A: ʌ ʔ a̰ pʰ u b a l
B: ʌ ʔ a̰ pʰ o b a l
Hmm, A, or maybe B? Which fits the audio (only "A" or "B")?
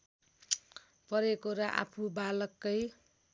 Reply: A